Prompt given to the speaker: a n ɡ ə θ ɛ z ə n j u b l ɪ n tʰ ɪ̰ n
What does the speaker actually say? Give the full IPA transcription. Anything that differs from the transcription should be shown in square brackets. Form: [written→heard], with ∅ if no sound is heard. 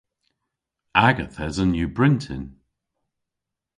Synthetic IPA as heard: a [n→∅] ɡ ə θ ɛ z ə n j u b [l→ɹ] ɪ n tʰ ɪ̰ n